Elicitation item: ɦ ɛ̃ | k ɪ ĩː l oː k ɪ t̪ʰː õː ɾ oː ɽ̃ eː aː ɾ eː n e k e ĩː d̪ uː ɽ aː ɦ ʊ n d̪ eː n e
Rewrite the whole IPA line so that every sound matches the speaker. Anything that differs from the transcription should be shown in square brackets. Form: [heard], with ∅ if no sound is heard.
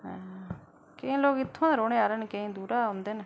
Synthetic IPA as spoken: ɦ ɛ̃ | k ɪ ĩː l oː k ɪ t̪ʰː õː ɾ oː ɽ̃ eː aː ɾ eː n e k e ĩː d̪ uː [ɾ] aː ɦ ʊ n d̪ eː n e